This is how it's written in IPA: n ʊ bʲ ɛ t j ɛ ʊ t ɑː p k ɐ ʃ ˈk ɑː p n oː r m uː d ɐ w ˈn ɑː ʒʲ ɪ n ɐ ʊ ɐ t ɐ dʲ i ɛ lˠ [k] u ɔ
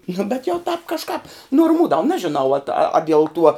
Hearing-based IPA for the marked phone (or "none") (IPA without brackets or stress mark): t